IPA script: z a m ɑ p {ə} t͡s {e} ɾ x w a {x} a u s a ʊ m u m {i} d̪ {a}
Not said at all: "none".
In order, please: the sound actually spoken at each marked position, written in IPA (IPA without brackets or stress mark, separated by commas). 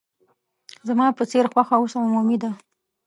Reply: ə, e, x, i, a